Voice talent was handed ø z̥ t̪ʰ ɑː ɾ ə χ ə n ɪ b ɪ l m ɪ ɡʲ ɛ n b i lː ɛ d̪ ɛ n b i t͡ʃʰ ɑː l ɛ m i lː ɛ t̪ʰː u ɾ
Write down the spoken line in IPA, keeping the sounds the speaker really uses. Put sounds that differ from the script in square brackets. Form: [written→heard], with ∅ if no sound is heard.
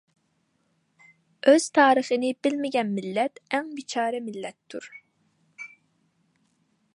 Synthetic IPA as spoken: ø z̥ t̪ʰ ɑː ɾ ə χ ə n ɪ b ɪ l m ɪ ɡʲ ɛ n [b→m] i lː ɛ [d̪→t̪] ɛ [n→ŋ] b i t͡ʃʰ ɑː [l→ɾ] ɛ m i lː ɛ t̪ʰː u ɾ